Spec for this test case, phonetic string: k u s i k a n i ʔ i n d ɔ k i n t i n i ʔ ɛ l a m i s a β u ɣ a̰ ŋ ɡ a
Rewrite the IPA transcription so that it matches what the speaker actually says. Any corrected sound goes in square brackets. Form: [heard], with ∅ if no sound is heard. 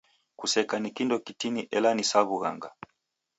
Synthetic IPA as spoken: k u s [ɛ] k a n i [k] i n d ɔ k i [∅] t i n i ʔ ɛ l a [n] i s a β u ɣ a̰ ŋ ɡ a